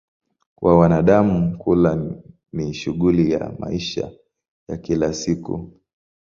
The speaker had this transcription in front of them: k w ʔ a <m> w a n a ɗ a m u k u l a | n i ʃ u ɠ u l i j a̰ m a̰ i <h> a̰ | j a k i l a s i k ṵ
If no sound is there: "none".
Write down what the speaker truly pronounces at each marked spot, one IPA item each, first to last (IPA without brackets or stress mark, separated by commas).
none, ʃ